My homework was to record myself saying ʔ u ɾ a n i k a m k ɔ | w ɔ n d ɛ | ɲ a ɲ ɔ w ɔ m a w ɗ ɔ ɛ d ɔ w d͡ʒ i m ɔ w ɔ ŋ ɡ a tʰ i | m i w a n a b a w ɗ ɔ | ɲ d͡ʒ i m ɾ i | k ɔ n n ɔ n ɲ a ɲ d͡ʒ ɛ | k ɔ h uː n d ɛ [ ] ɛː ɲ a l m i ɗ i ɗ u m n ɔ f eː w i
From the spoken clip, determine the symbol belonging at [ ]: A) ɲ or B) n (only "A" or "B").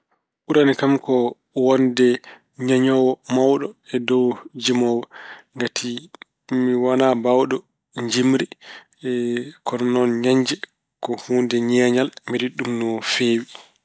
A